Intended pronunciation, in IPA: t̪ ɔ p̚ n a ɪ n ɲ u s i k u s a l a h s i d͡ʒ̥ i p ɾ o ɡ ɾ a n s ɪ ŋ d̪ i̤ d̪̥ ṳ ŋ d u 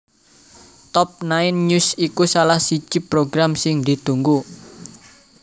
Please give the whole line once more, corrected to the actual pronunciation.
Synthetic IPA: t̪ ɔ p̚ n a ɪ n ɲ u s i k u s a l a h s i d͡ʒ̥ i p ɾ o ɡ ɾ a m s ɪ ŋ d̪ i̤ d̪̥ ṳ ŋ ɡ u

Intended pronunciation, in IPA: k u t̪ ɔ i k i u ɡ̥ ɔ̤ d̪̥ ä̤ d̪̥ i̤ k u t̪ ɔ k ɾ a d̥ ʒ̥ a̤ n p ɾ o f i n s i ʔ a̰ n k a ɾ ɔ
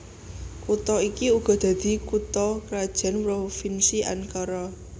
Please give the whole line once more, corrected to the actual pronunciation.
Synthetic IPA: k u t̪ ɔ i k i u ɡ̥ ɔ̤ d̪̥ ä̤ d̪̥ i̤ k u t̪ ɔ k ɾ a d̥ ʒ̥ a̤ n p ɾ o f i n s i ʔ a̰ n k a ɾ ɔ

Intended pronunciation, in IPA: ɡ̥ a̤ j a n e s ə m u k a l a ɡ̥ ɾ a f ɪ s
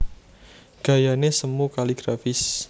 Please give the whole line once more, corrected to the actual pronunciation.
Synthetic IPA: ɡ̥ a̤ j a n e s ə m u k a l i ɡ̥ ɾ a f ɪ s

